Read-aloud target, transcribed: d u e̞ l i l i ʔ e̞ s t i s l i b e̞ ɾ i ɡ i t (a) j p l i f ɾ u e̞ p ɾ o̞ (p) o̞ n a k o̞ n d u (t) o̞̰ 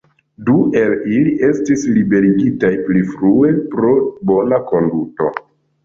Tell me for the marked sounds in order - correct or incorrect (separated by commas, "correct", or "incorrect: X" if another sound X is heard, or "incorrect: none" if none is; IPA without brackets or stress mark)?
correct, incorrect: b, correct